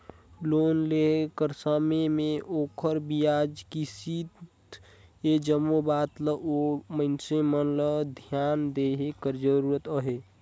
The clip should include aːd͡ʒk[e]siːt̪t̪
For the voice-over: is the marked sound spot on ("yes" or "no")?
no